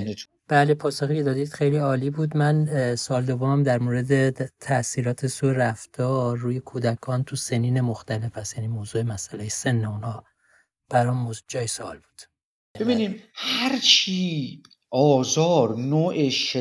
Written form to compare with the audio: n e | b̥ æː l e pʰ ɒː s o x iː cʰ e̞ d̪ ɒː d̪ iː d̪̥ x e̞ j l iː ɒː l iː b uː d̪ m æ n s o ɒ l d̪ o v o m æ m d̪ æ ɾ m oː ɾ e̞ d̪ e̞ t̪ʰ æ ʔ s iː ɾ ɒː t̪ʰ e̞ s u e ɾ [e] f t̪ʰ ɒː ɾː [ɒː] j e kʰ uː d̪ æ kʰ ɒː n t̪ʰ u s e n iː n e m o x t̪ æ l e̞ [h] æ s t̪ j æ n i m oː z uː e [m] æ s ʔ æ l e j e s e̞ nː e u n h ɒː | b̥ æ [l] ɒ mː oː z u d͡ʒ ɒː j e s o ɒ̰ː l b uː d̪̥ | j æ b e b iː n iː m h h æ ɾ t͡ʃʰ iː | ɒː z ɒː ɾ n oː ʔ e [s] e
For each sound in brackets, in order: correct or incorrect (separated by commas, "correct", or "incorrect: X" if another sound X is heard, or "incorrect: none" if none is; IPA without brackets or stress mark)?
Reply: incorrect: æ, incorrect: uː, incorrect: f, correct, incorrect: ɾ, incorrect: ʃ